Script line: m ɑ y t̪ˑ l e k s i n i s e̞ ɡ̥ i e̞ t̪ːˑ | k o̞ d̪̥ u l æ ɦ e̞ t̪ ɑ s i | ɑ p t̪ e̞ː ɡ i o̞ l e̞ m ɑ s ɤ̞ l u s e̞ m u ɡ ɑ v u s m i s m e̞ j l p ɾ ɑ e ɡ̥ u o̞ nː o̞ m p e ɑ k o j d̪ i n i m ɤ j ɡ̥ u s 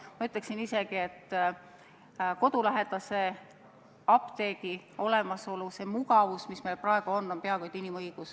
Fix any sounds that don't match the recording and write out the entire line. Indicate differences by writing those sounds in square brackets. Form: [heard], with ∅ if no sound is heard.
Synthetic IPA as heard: m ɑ y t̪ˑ l e k s i n i s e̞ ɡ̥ i e̞ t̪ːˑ | k o̞ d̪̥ u l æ ɦ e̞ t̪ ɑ s [e] | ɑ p t̪ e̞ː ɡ i o̞ l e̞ m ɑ s [o̞] l u s e̞ m u ɡ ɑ v u s m i s m e̞ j l p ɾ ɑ e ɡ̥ u o̞ nː o̞ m p e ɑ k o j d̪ i n i m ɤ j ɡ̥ u s